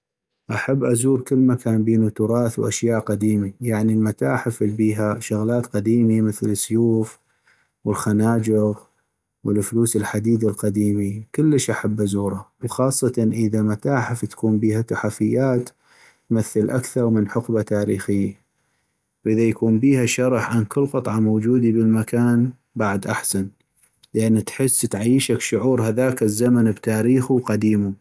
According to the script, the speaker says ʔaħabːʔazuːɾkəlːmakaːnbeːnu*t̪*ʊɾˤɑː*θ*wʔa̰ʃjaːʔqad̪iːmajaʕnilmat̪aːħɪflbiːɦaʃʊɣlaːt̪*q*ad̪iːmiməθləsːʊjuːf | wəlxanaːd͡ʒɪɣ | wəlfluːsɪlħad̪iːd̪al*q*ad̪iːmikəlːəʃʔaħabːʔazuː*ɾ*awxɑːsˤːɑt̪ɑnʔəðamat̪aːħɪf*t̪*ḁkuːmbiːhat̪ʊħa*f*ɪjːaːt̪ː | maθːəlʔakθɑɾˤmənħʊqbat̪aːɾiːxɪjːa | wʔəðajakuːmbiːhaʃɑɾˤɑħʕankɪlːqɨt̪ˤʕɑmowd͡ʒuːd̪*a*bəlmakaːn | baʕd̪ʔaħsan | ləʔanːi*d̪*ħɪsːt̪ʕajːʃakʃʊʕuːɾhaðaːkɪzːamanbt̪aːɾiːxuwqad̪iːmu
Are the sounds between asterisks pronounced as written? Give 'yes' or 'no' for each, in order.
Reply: yes, yes, yes, yes, yes, yes, yes, no, no

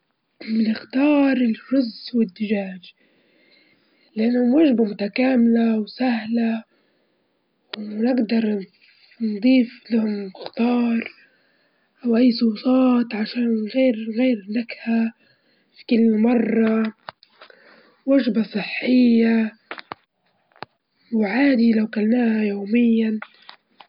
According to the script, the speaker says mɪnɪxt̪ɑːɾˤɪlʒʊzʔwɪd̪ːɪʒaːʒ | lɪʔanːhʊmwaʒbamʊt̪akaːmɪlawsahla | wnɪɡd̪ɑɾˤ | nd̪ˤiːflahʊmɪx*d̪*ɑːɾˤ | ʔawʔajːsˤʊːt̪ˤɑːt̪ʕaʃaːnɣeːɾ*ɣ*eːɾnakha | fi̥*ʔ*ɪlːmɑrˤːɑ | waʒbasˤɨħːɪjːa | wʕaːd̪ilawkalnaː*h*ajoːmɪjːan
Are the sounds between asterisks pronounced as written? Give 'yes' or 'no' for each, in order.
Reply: no, yes, no, yes

